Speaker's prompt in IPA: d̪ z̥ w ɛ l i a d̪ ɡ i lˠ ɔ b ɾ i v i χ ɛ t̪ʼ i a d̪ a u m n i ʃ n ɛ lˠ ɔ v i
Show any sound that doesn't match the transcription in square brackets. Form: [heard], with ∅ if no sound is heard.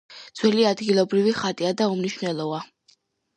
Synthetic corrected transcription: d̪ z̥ w ɛ l i a d̪ ɡ i lˠ ɔ b ɾ i v i χ [a] t̪ʼ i a d̪ a u m n i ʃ n ɛ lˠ ɔ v [a]